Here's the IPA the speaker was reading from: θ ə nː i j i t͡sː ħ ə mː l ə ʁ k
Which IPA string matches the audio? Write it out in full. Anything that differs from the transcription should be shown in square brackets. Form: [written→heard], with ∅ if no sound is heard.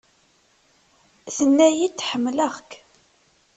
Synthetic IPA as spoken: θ ə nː [i→æ] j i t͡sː ħ ə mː l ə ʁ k